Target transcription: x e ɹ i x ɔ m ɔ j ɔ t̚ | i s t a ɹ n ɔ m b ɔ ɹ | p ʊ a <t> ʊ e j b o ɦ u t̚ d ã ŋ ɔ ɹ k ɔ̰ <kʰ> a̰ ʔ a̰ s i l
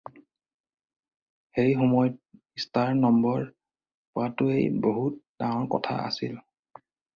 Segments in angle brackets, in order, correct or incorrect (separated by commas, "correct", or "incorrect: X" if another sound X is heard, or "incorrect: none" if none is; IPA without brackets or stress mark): correct, incorrect: tʰ